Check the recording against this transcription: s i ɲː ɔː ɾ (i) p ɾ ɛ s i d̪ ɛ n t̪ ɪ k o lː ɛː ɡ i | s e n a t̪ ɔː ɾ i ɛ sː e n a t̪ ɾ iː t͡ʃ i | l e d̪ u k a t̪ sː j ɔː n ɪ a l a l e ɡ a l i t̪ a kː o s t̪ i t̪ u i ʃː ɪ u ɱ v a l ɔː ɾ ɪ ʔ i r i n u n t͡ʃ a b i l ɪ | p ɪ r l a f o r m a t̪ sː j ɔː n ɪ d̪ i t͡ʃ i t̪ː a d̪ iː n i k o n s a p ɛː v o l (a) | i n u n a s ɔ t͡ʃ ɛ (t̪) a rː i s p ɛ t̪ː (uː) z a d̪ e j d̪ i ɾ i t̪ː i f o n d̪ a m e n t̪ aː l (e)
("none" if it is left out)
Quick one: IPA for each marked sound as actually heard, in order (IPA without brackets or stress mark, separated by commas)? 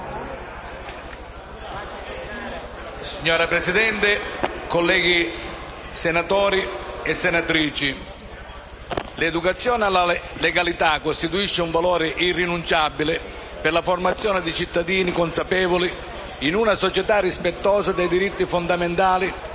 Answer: a, i, t̪, ɔː, i